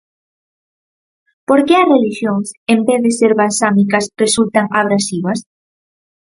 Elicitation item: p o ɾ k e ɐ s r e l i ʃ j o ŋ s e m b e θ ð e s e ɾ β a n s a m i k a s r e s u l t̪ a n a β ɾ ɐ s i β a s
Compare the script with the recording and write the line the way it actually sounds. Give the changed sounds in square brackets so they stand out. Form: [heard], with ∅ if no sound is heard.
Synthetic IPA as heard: p o ɾ k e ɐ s r e l i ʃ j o ŋ s e m b e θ ð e s e ɾ β a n s a m i k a s r e s u l t̪ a [ŋ] a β ɾ [a] s i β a s